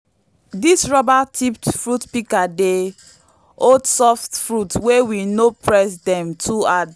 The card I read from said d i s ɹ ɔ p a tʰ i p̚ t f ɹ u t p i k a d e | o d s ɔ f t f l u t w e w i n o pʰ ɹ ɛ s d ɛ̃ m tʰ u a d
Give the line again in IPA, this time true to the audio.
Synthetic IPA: d i s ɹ ɔ b a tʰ i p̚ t f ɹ u t p i k a d e | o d s ɔ f t f ɹ u t w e w i n o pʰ ɹ ɛ s d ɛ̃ m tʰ u a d